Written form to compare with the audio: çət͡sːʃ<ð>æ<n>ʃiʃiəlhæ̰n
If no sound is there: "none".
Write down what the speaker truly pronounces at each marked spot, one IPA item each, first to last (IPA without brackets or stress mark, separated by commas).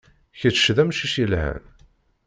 ð, m